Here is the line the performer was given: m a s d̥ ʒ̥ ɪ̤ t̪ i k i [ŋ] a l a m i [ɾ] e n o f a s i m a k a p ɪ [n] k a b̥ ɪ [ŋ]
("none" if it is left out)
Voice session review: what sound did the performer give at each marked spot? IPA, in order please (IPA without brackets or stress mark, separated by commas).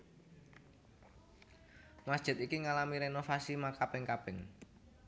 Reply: ŋ, ɾ, ŋ, ŋ